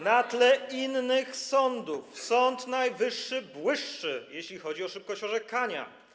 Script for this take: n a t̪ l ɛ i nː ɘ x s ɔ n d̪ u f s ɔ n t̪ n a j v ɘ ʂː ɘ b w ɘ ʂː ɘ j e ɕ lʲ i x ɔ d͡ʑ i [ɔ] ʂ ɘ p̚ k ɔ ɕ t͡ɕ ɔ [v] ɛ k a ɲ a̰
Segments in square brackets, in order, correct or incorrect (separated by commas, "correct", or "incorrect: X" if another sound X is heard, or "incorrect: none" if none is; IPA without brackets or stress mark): correct, incorrect: ʐ